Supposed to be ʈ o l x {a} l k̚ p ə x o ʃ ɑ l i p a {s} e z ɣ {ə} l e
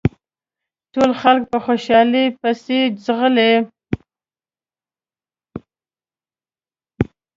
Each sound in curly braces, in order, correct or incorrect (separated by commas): correct, correct, correct